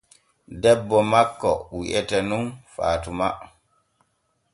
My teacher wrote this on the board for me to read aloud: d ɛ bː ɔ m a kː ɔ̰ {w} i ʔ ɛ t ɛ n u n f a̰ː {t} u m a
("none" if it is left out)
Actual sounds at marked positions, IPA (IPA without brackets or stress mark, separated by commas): w, t